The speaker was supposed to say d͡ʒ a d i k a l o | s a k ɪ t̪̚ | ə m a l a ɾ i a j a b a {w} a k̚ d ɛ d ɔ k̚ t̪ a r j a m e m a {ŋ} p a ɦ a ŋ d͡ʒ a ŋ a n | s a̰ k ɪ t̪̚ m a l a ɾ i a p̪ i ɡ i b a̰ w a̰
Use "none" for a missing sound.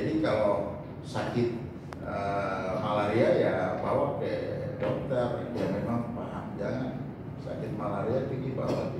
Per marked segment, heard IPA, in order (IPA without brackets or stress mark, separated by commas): w, ŋ